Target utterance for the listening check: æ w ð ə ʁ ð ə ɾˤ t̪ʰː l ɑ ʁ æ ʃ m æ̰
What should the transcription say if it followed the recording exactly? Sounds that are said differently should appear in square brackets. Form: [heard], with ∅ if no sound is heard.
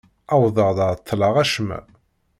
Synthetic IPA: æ w ð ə ʁ ð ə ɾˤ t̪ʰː l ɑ ʁ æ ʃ m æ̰